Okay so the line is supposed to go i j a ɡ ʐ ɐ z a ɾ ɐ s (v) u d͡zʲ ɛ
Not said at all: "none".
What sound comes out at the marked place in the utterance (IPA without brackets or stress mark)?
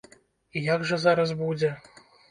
b